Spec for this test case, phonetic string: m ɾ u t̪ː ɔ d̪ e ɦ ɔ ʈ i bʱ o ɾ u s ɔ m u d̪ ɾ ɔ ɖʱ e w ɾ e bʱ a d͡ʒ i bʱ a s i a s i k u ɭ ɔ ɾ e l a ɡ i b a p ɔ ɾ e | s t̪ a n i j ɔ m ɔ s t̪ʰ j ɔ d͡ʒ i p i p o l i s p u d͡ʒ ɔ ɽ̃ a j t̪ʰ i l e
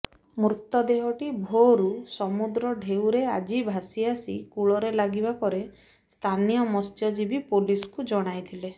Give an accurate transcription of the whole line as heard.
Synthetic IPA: m ɾ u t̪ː ɔ d̪ e ɦ ɔ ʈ i bʱ o ɾ u s ɔ m u d̪ ɾ ɔ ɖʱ e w ɾ e a d͡ʒ i bʱ a s i a s i k u ɭ ɔ ɾ e l a ɡ i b a p ɔ ɾ e | s t̪ʰ a n i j ɔ m ɔ s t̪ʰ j ɔ d͡ʒ i b i p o l i s k u d͡ʒ ɔ ɽ̃ a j t̪ʰ i l e